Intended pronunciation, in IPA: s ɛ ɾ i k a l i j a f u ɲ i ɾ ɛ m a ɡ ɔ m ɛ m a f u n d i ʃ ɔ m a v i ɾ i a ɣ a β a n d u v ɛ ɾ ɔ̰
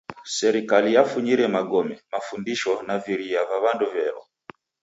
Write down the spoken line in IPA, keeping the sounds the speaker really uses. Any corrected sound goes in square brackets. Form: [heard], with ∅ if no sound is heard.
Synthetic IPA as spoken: s ɛ ɾ i k a l i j a f u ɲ i ɾ ɛ m a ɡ ɔ m ɛ m a f u n d i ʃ ɔ [n] a v i ɾ i a [v] a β a n d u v ɛ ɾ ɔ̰